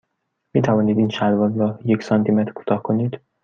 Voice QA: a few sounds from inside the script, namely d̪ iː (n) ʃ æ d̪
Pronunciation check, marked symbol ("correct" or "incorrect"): correct